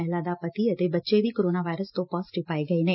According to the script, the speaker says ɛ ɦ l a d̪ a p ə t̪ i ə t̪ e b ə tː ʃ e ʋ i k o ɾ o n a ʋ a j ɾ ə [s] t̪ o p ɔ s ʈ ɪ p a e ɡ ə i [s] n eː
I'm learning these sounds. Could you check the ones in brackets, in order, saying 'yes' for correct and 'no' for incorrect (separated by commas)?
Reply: yes, no